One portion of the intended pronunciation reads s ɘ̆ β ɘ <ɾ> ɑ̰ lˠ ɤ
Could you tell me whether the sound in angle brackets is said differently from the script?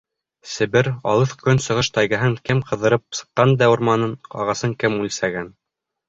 no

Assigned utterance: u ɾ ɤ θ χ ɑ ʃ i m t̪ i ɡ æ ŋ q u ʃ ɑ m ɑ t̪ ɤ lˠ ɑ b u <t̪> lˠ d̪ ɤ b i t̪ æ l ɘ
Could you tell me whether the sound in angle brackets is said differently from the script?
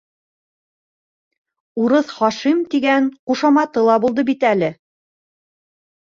yes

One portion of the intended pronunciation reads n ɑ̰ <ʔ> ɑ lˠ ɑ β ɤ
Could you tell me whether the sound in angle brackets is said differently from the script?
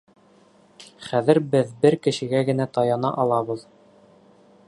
no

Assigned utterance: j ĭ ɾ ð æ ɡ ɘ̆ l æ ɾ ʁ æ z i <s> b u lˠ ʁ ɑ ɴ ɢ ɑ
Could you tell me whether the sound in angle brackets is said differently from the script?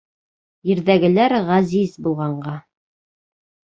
yes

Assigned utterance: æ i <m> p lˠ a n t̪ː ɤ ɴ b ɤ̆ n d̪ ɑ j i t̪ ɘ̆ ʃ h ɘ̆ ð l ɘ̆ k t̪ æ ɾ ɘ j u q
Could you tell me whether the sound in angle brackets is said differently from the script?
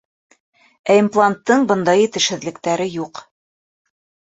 no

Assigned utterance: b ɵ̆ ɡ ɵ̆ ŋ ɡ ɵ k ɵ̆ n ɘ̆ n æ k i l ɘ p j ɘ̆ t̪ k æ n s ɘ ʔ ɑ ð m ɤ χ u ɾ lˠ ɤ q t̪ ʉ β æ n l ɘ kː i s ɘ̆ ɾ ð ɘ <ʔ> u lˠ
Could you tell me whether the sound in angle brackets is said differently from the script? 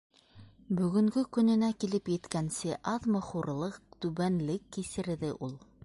no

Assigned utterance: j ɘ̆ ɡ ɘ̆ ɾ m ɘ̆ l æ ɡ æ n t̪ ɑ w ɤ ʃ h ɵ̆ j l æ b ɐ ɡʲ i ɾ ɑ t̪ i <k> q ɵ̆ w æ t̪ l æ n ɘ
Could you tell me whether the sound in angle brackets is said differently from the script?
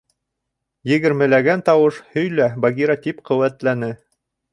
yes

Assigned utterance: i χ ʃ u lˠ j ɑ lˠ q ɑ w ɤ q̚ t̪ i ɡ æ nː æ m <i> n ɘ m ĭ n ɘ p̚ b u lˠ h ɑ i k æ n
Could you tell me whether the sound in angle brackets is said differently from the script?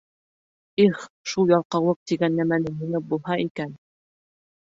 yes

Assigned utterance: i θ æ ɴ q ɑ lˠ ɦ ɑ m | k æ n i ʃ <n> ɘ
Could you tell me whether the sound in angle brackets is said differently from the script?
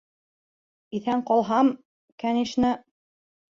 no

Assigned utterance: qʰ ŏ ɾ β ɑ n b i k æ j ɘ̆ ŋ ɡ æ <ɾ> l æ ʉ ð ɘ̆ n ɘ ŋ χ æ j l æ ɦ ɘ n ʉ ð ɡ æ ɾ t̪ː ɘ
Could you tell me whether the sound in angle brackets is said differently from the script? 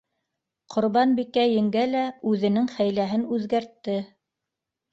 yes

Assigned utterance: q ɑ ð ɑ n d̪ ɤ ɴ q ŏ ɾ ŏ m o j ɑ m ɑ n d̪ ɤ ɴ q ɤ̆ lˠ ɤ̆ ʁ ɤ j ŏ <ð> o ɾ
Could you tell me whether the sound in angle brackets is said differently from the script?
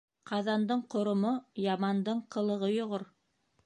yes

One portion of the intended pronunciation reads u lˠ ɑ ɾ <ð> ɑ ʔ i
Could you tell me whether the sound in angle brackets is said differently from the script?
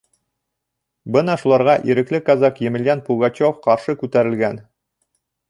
yes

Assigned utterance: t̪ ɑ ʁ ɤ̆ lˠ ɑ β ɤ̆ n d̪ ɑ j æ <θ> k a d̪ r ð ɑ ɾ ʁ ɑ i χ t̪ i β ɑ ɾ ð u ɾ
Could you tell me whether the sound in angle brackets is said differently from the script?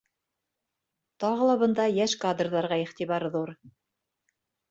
yes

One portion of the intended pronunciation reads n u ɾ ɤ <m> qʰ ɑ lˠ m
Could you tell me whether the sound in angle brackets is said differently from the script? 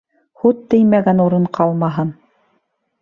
yes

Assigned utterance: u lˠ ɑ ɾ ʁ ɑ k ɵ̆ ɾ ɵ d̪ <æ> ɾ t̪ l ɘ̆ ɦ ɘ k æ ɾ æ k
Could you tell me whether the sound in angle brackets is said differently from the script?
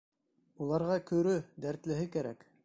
no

